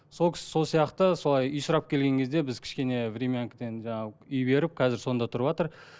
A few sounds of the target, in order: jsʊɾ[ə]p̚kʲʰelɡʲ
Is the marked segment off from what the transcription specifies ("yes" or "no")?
yes